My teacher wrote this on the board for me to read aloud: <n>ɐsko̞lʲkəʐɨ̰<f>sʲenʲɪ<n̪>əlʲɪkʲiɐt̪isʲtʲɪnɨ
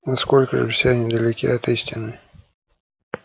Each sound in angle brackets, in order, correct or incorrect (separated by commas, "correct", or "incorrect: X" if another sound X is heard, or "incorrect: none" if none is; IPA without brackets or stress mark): correct, correct, incorrect: d̪